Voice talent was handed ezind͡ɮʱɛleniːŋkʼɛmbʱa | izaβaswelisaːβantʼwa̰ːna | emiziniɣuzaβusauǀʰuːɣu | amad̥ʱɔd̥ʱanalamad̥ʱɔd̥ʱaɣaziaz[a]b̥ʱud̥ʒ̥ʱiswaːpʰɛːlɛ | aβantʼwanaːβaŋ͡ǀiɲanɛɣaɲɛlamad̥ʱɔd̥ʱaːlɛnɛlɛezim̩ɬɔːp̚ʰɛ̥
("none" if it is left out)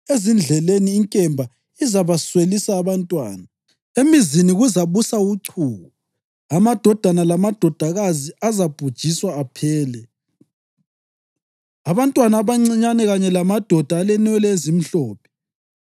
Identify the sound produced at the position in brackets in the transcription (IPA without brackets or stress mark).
a